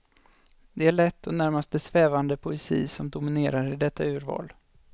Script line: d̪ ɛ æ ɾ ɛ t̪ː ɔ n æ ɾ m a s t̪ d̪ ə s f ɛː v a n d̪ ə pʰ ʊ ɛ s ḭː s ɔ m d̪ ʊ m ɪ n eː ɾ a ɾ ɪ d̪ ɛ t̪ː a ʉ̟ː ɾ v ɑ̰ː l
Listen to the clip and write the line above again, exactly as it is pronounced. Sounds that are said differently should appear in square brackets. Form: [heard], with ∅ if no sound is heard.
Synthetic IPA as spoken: d̪ ɛ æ [ɭ] ɛ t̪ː ɔ n æ ɾ m a s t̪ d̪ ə s [v] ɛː v a n d̪ ə pʰ ʊ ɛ s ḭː s ɔ m d̪ ʊ m ɪ n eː ɾ a ɾ ɪ d̪ ɛ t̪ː a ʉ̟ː ɾ v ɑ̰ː l